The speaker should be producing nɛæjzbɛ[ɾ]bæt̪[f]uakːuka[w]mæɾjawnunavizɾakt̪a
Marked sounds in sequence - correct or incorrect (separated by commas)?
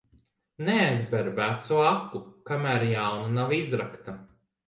correct, incorrect, incorrect